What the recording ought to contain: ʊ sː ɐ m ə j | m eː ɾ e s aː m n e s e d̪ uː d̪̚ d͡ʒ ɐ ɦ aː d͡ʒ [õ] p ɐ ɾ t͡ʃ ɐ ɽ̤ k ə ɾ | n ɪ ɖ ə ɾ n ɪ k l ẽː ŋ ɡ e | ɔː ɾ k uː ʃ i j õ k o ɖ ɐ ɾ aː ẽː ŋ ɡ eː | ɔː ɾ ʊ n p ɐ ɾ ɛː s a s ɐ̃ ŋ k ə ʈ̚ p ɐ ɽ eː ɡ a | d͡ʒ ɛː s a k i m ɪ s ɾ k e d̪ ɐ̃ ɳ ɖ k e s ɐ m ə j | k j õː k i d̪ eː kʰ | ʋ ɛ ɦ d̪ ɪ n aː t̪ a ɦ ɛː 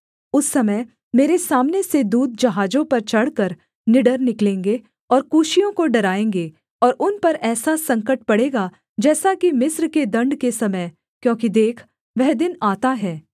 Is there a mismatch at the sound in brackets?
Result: no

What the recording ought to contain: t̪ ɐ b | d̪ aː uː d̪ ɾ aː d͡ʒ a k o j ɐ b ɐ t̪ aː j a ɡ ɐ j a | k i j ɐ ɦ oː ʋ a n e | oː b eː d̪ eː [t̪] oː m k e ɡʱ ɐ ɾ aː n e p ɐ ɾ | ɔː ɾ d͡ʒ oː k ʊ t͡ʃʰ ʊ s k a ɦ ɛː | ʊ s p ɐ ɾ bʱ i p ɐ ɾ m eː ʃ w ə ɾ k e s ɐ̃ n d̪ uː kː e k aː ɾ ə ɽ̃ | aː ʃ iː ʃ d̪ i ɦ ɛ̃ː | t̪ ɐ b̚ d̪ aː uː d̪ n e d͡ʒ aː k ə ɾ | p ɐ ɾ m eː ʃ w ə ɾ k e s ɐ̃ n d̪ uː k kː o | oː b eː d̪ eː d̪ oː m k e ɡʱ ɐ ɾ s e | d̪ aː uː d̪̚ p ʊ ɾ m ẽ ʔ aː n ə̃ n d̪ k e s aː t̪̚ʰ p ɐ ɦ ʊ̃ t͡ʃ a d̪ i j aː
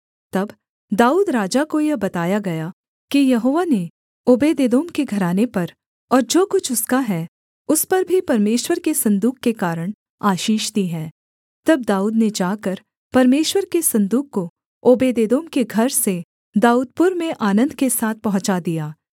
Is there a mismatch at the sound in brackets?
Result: yes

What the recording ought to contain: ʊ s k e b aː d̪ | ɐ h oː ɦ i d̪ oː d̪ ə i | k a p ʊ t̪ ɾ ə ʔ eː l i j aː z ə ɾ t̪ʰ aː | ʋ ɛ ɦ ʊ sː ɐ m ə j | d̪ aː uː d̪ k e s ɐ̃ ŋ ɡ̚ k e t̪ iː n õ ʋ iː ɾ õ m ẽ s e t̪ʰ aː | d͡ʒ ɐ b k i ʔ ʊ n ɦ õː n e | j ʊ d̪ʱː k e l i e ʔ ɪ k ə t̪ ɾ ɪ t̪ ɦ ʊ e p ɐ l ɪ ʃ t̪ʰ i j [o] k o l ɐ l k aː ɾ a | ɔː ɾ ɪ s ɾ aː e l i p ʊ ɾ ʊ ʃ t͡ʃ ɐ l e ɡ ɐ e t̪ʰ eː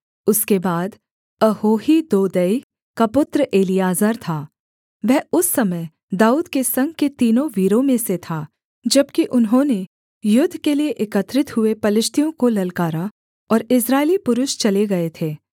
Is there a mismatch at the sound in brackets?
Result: yes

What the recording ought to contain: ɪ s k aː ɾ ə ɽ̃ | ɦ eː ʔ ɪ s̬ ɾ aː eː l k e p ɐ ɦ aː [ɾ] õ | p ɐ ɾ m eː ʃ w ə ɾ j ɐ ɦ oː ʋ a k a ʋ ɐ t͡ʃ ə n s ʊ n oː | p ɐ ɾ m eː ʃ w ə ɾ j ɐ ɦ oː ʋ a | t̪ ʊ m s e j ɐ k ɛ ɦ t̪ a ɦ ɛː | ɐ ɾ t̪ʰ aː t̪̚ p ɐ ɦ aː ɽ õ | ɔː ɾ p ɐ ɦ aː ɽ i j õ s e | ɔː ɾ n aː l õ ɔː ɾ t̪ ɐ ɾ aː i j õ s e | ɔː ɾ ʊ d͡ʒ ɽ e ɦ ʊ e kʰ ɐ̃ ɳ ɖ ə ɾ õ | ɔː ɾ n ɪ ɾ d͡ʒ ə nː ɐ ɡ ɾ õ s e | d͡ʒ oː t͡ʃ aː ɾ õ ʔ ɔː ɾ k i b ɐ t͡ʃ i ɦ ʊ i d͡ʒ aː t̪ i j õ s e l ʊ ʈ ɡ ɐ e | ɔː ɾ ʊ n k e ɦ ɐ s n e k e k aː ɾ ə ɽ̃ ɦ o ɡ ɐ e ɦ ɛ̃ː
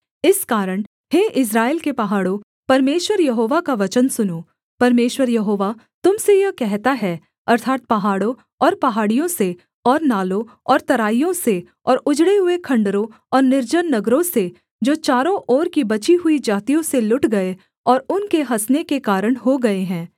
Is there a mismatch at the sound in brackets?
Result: yes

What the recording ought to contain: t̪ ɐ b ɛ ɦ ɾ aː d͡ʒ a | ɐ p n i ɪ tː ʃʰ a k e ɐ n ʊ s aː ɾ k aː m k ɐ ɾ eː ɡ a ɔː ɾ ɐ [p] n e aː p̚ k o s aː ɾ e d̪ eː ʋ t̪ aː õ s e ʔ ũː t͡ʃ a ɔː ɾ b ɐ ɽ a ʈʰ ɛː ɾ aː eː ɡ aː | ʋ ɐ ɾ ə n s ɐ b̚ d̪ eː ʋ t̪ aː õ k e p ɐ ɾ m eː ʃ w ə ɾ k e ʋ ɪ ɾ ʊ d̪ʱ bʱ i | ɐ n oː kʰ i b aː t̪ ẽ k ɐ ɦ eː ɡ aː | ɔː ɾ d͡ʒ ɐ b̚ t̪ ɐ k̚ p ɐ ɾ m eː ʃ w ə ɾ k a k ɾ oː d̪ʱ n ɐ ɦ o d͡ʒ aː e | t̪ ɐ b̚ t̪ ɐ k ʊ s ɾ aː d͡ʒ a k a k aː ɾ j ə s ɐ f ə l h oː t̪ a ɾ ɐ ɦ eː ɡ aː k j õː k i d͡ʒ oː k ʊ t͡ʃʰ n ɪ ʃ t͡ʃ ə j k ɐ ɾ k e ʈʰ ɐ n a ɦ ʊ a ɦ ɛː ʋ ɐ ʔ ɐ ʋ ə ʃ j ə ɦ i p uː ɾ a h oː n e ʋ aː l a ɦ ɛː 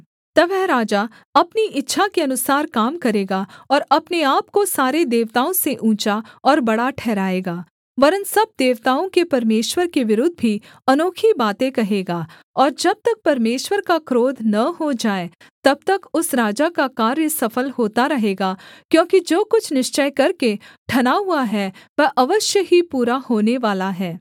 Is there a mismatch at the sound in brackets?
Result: no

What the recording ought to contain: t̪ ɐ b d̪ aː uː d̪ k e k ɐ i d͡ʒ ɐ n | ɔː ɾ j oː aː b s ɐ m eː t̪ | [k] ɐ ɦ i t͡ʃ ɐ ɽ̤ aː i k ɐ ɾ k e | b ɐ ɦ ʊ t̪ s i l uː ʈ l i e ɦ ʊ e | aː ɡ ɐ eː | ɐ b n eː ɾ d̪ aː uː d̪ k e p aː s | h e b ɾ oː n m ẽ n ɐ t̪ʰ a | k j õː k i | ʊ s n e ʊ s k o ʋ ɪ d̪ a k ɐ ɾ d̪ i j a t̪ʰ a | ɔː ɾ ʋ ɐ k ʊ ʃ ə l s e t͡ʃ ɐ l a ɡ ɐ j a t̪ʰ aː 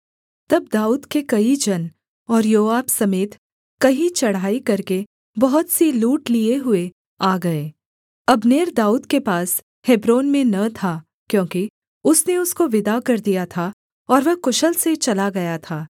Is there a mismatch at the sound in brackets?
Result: no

